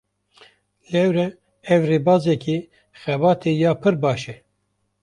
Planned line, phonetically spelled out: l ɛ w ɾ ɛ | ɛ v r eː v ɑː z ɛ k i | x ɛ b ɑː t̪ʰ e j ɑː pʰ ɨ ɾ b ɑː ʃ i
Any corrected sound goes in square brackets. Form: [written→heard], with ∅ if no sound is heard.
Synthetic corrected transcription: l ɛ w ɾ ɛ | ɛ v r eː [v→b] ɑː z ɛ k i | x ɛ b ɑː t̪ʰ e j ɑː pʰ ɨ ɾ b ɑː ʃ [i→ɛ]